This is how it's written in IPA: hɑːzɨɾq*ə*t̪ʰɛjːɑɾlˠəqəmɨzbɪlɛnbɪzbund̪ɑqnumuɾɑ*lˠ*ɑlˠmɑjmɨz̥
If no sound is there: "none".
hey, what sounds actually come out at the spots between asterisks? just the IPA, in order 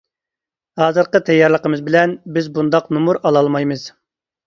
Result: ə, lˠ

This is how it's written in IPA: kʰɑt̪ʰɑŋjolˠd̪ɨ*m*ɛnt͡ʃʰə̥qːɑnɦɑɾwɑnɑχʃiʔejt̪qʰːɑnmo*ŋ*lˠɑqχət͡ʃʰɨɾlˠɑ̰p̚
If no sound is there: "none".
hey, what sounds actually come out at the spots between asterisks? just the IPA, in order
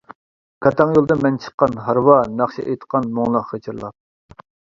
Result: m, ŋ

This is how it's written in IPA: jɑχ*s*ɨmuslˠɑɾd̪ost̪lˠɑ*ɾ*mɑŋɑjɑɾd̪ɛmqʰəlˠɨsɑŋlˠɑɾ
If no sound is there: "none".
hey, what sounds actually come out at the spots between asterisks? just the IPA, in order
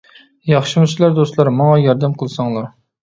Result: ʃ, ɾ

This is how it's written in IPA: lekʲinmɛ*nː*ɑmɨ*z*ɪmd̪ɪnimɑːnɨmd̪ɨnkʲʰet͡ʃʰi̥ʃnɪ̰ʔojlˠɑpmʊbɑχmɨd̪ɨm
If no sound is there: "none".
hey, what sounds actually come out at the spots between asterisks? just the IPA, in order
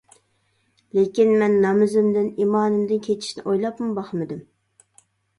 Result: nː, z

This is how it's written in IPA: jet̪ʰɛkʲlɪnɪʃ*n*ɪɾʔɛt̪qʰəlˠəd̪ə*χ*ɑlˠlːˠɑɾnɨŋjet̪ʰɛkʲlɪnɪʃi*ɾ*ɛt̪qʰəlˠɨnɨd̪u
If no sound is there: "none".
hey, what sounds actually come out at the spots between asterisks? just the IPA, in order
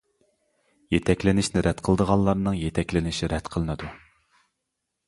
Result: n, ʁ, ɾ

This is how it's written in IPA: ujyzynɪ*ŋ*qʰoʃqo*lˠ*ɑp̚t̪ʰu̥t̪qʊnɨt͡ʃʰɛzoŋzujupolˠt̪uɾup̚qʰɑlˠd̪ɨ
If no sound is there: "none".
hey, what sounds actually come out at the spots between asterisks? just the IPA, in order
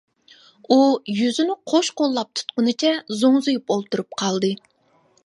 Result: none, lˠː

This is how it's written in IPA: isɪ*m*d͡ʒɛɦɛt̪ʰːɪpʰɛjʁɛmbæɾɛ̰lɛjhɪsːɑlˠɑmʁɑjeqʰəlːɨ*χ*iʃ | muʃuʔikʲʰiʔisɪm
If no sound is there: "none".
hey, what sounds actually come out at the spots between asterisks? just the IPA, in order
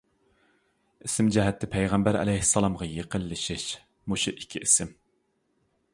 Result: m, ʃ

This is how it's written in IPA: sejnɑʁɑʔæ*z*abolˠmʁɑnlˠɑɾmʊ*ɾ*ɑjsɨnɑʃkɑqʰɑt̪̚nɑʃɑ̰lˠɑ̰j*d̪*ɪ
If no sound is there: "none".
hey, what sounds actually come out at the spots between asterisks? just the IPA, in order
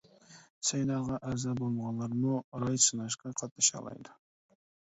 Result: z, ɾ, d̪

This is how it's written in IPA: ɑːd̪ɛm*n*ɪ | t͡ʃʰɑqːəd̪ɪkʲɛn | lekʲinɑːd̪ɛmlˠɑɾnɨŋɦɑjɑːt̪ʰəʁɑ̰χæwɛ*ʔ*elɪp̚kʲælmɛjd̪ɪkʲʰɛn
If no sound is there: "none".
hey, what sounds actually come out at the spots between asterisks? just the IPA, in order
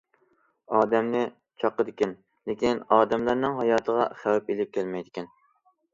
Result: n, p

